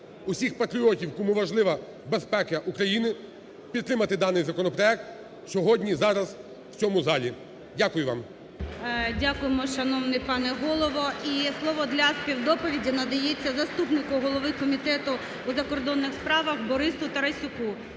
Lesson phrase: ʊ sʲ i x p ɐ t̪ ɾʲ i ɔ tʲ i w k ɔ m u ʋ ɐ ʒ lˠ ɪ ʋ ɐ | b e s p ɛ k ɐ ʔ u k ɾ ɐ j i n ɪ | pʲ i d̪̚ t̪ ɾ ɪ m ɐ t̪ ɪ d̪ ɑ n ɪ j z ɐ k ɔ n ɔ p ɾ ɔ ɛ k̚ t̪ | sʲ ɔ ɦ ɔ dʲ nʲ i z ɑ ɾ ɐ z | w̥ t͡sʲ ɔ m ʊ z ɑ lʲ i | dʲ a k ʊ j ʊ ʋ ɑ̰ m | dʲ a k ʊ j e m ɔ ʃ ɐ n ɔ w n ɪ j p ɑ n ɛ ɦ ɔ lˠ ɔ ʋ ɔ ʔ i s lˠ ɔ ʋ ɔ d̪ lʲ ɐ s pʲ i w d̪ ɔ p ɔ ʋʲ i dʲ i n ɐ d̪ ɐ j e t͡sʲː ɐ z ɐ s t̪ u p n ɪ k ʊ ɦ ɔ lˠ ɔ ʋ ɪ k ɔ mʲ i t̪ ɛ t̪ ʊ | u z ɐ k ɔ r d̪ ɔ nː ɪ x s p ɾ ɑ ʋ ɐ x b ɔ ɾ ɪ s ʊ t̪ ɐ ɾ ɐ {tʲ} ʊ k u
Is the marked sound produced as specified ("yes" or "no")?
no